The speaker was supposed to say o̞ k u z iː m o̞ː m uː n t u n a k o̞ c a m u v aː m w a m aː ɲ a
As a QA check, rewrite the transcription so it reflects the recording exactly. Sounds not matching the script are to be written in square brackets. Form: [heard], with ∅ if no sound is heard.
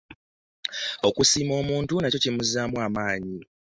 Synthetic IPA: o̞ k u [s] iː m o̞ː m uː n t u n a [c] o̞ c [i] m u [z] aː m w a m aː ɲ [i]